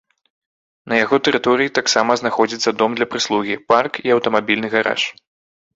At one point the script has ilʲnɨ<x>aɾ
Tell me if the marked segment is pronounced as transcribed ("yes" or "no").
no